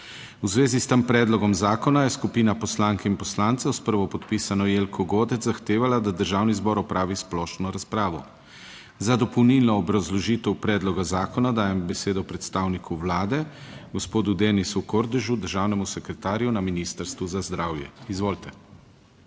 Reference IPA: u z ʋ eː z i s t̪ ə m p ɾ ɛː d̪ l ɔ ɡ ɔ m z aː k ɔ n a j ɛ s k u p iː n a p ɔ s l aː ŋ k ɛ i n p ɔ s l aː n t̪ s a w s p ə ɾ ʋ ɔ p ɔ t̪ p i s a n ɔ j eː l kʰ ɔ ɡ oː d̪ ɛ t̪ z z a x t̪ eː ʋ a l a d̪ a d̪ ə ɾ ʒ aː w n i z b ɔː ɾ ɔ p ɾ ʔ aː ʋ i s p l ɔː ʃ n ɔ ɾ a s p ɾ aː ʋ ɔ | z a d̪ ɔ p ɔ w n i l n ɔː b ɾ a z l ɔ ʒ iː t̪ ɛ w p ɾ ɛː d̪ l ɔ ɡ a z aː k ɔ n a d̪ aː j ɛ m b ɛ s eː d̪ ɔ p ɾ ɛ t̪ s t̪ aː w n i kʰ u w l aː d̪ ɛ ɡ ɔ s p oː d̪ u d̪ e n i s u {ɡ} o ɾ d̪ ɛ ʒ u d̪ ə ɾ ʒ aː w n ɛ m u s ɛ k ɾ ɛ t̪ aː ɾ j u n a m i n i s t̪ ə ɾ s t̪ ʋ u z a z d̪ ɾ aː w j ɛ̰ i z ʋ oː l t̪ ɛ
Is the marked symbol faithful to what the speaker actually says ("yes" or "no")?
no